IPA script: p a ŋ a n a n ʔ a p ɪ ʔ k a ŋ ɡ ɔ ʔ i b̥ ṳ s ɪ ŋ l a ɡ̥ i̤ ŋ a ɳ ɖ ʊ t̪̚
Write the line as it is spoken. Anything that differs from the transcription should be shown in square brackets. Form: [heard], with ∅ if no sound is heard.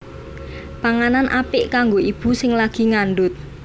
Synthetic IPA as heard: p a ŋ a n a n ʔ a p ɪ ʔ k a ŋ ɡ [o] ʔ i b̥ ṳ s ɪ ŋ l a ɡ̥ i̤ ŋ a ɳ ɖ ʊ t̪̚